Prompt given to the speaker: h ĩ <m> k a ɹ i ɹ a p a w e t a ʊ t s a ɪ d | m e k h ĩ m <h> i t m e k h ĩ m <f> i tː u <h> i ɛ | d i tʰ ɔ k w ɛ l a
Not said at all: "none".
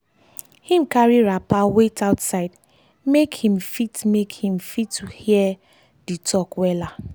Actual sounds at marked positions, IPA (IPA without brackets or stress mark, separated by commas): m, f, f, h